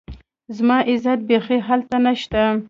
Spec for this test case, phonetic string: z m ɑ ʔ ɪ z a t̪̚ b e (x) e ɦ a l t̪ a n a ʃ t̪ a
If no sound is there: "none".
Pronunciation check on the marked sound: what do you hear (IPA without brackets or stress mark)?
x